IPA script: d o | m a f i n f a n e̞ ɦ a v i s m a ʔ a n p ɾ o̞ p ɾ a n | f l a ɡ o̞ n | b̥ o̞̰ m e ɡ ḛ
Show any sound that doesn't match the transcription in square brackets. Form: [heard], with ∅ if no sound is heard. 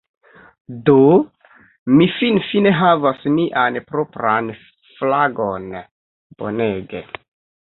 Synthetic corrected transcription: d o | m [i] f i n f [i] n e̞ ɦ a v [a] s m [i] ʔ a n p ɾ o̞ p ɾ a n | f l a ɡ o̞ n | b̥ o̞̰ [n] e ɡ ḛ